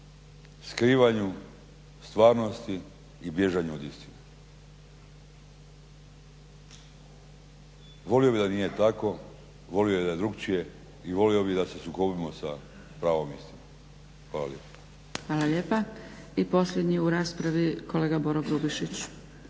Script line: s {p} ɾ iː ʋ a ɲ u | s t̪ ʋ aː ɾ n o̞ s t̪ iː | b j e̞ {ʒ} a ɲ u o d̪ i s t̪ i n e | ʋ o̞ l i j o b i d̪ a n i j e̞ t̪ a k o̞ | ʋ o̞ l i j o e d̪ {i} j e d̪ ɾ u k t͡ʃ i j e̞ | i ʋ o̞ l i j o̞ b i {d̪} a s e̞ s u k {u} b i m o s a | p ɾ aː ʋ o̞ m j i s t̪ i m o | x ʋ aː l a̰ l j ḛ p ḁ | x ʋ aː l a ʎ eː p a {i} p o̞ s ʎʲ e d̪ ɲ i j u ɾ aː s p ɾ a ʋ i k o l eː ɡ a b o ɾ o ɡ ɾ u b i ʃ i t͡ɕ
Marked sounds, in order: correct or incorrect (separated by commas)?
incorrect, correct, incorrect, correct, incorrect, correct